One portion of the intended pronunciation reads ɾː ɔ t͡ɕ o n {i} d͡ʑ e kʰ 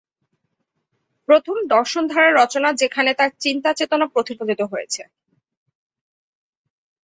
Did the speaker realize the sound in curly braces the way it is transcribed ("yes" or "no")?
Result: no